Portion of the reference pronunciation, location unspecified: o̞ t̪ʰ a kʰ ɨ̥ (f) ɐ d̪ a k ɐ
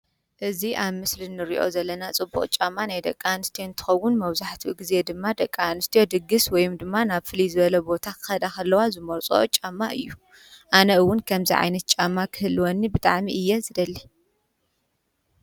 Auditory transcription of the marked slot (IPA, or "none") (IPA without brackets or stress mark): x